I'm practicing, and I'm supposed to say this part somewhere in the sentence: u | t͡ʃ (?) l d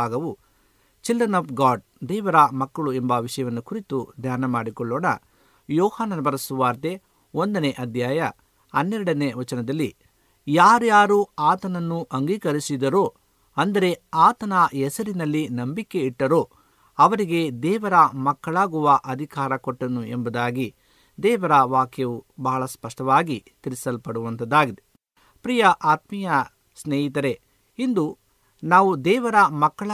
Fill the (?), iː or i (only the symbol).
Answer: i